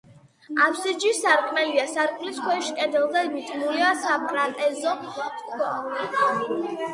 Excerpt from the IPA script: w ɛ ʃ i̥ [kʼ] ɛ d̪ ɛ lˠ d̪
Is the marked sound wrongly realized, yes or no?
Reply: no